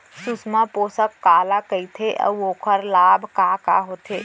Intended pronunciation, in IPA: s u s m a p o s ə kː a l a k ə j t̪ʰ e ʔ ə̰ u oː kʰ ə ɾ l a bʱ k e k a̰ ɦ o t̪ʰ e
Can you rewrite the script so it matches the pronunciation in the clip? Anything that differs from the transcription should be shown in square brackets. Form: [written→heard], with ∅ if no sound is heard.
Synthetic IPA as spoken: s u s m a p o s ə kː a l a k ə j t̪ʰ e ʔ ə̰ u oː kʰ ə ɾ l a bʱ k [e→a] k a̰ ɦ o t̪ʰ e